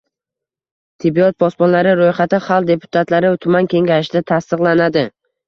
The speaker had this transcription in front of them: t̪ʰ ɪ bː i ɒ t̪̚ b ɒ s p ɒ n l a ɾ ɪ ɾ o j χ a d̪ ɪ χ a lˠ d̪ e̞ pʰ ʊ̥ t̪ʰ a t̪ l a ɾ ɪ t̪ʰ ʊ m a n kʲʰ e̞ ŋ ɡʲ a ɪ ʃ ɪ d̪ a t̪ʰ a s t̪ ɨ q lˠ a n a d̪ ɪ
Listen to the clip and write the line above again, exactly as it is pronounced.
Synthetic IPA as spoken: t̪ʰ ɪ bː i ɒ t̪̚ b ɒ s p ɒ n l a ɾ ɪ ɾ o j χ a t̪ ɪ χ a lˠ d̪ e̞ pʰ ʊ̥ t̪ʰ a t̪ l a ɾ ɪ t̪ʰ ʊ m a n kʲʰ e̞ ŋ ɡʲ a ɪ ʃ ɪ d̪ a t̪ʰ a s t̪ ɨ q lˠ a n a d̪ ɪ